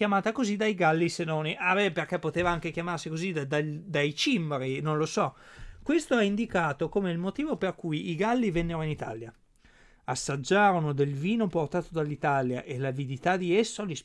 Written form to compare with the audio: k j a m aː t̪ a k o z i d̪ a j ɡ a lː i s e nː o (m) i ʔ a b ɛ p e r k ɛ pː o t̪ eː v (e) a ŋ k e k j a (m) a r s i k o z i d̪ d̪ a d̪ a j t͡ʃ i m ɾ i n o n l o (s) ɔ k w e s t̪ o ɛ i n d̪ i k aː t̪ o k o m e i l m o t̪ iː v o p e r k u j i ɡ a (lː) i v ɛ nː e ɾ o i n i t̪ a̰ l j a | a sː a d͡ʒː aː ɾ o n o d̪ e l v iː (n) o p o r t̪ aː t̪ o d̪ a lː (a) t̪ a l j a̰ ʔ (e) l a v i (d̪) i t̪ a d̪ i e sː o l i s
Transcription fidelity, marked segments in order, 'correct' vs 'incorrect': incorrect: n, incorrect: a, correct, correct, correct, correct, incorrect: i, correct, correct

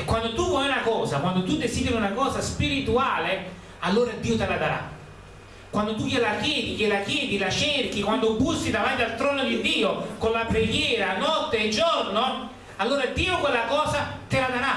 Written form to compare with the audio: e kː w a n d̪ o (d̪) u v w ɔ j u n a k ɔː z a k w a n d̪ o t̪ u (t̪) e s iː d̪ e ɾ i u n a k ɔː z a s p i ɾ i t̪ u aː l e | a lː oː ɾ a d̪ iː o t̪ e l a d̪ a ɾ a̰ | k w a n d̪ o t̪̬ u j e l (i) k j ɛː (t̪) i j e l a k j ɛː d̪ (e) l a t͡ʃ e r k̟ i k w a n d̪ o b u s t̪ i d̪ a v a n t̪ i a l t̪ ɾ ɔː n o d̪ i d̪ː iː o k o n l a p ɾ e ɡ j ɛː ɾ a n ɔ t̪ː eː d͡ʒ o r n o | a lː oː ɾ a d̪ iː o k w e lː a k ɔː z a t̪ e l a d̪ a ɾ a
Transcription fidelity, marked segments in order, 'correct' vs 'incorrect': incorrect: t̪, incorrect: d̪, incorrect: a, incorrect: d̪, incorrect: i

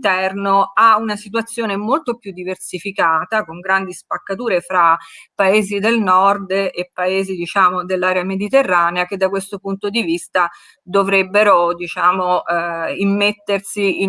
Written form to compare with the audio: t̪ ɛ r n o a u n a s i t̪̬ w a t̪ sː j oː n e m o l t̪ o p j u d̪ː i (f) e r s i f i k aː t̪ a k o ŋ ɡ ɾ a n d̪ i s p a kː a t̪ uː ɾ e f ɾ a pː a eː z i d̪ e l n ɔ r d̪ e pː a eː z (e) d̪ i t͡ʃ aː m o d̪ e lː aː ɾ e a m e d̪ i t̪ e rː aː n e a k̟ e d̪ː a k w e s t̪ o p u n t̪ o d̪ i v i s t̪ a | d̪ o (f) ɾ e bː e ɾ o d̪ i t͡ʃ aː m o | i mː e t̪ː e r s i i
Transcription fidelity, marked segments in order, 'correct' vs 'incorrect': incorrect: v, incorrect: i, incorrect: v

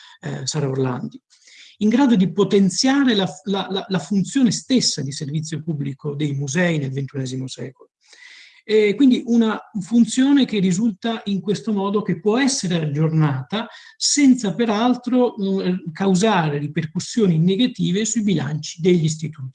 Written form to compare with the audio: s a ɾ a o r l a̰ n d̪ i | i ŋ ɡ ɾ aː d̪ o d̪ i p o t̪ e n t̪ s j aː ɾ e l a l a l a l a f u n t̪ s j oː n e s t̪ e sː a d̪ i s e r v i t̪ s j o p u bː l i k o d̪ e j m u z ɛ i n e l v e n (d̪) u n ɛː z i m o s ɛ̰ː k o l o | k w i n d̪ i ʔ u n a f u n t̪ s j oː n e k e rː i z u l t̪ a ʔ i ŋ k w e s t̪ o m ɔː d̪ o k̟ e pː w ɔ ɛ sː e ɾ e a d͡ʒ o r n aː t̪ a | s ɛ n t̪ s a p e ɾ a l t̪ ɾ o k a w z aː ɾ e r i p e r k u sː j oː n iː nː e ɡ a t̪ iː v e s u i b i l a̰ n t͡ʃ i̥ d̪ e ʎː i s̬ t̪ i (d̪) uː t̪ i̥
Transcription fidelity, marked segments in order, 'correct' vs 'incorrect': incorrect: t̪, incorrect: t̪

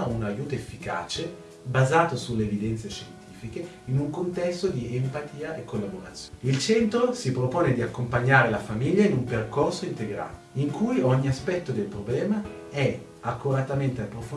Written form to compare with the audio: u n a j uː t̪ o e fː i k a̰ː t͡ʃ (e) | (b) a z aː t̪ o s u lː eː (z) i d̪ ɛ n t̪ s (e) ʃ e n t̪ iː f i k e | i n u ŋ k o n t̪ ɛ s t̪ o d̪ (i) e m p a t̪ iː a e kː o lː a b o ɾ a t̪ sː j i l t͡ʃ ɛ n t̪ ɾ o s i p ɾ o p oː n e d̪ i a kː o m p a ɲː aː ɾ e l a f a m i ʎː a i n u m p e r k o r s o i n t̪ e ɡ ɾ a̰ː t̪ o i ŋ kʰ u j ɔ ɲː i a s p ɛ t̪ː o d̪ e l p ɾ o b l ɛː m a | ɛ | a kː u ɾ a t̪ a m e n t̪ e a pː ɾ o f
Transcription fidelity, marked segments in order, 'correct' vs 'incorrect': correct, correct, incorrect: v, correct, correct

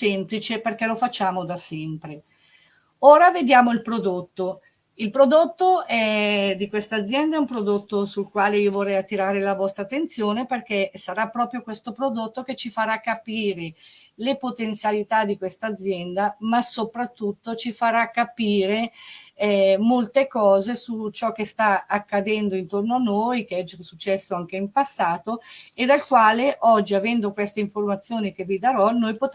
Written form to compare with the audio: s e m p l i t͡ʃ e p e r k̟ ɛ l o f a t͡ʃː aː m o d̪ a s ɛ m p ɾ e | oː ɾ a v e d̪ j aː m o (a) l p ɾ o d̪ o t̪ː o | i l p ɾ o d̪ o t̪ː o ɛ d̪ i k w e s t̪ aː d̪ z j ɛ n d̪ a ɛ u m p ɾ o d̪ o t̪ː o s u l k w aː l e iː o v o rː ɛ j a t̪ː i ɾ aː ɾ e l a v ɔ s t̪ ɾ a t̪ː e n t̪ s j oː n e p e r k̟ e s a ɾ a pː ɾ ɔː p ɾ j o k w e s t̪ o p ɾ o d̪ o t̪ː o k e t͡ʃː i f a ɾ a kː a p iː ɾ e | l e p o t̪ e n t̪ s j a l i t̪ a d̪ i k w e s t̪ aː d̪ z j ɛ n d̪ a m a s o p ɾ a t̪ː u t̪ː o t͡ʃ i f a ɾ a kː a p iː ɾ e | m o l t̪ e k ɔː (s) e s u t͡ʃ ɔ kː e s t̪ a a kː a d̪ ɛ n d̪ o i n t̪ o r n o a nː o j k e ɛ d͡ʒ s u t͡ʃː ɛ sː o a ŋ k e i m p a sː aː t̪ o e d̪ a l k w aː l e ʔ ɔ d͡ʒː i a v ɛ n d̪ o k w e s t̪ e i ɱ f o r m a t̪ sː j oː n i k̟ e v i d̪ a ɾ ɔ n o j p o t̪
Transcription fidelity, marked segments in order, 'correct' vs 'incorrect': incorrect: i, incorrect: z

